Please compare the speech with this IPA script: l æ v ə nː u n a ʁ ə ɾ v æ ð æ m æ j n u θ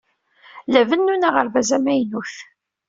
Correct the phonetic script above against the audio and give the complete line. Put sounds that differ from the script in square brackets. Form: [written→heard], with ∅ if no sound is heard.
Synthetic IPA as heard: l æ v ə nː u n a ʁ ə ɾ v æ [ð→z] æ m æ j n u θ